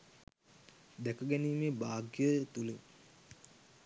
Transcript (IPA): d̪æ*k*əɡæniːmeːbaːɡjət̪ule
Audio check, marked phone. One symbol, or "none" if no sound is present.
k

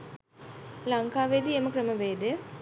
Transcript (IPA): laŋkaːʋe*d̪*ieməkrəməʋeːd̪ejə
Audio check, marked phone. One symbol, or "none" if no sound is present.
d̪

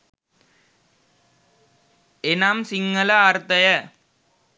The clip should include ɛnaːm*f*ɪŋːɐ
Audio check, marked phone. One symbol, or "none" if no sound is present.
s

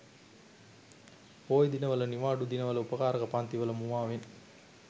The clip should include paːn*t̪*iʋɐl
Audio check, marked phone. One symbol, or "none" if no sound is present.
t̪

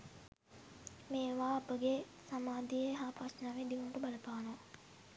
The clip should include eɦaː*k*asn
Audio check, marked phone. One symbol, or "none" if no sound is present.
p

